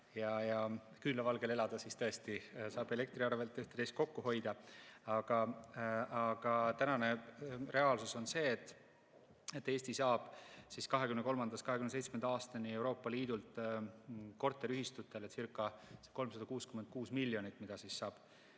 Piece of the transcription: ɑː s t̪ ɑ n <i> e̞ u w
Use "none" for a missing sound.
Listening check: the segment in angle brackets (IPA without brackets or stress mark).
i